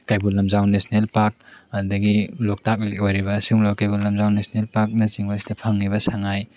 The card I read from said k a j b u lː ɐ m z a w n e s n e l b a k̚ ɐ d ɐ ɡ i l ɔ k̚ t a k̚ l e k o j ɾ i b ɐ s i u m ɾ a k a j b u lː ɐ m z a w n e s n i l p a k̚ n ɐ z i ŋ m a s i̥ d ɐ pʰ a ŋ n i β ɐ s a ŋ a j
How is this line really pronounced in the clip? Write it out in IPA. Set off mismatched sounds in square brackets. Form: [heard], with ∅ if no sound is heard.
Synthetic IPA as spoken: k a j b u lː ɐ m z a w n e s n e l [p] a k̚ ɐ d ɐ ɡ i l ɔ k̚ t a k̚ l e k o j ɾ i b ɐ s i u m [l] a k a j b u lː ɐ m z a w n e s n [e] l p a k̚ n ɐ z i ŋ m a s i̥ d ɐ pʰ a ŋ n i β ɐ s a ŋ a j

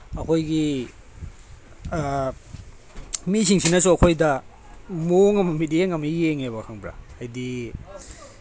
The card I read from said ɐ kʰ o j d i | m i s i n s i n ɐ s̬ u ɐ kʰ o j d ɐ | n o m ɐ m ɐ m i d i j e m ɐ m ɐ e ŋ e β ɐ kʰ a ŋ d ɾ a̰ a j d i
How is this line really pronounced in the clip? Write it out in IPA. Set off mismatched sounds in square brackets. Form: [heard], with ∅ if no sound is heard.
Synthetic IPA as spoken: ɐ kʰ o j [ɡ] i | m i s i [ŋ] s i n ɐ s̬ u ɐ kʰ o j d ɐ | [m] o [ŋ] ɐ m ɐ m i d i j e [ŋ] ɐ m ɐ e ŋ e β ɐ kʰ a ŋ [b] ɾ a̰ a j d i

